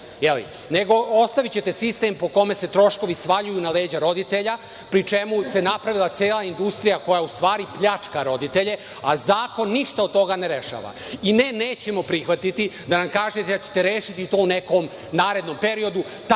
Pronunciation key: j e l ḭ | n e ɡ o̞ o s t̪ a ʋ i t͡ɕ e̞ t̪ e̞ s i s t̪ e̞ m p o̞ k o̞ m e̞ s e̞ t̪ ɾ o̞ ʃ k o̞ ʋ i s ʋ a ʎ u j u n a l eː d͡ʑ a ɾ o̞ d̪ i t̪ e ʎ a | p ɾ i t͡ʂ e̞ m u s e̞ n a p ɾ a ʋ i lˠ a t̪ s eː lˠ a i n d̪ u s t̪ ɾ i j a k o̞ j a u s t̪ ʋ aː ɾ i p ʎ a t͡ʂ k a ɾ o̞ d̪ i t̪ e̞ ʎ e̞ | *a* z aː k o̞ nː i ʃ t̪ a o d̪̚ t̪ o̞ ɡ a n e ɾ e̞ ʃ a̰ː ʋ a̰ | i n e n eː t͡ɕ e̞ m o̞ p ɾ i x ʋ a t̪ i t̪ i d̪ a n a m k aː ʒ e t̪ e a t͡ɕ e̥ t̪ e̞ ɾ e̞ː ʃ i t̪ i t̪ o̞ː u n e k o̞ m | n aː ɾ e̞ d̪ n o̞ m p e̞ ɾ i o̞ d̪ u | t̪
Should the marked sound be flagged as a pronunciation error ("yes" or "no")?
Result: no